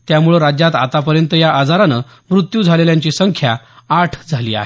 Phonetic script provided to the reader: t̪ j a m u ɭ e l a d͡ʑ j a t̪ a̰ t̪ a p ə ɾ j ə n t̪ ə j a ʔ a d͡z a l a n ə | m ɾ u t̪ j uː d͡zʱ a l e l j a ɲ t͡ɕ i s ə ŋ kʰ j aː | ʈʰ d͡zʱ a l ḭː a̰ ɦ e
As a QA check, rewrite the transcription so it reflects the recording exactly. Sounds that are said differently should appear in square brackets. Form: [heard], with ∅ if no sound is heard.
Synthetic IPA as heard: t̪ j a m u ɭ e [ɾ] a d͡ʑ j a t̪ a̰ t̪ a p ə ɾ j ə n t̪ ə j a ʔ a d͡z a [ɾ] a n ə | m ɾ u t̪ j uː d͡zʱ a l e l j a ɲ t͡ɕ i s ə ŋ kʰ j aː | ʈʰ d͡zʱ a l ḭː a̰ ɦ e